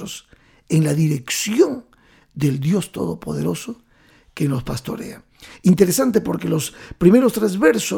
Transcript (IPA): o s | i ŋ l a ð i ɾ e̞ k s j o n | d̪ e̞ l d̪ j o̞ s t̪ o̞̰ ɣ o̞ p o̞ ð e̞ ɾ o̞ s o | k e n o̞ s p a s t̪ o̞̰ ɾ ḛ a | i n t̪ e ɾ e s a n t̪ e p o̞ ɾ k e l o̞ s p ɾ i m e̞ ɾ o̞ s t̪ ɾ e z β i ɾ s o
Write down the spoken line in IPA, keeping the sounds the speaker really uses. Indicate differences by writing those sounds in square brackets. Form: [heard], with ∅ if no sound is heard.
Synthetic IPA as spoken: o s | [e] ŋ l a ð i ɾ e̞ k s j o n | d̪ e̞ l d̪ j o̞ s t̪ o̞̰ [ð] o̞ p o̞ ð e̞ ɾ o̞ s o | k e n o̞ s p a s t̪ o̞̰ ɾ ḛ a | i n t̪ e ɾ e s a n t̪ e p o̞ ɾ k e l o̞ s p ɾ i m e̞ ɾ o̞ s t̪ ɾ e z β [e] ɾ s o